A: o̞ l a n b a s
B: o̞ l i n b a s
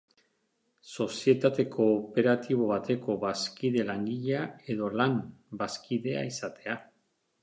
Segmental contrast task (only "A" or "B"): A